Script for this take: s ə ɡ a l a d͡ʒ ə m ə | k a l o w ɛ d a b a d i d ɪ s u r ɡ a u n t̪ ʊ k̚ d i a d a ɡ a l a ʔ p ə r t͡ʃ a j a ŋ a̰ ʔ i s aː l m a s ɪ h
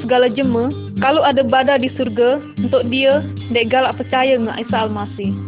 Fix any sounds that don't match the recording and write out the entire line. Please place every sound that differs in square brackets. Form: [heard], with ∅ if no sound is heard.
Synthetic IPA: s ə ɡ a l a d͡ʒ ə m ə | k a l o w [a] d a b a d [a] d [i] s u r ɡ a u n t̪ ʊ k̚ d i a d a ɡ a l a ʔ p ə r t͡ʃ a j a ŋ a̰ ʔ i s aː l m a s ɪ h